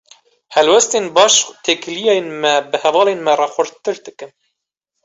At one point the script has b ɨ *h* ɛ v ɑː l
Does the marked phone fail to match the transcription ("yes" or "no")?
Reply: no